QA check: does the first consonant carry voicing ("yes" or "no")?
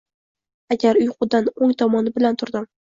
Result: yes